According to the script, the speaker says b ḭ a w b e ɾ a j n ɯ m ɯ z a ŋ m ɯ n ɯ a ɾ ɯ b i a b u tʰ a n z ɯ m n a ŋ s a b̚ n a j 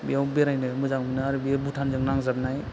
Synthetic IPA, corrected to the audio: b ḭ a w b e ɾ a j n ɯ m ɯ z a ŋ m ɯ n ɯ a ɾ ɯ b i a b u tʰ a n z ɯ ŋ n a ŋ z a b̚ n a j